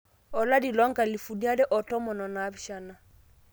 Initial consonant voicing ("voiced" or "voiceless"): voiced